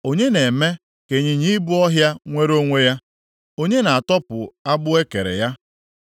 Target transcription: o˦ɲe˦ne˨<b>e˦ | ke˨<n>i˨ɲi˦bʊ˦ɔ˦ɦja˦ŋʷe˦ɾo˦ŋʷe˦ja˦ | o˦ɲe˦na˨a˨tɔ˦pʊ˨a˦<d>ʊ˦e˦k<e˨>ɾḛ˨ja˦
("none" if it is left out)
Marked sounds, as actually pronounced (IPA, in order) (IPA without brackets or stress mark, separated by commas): m, ɲ, b, e˨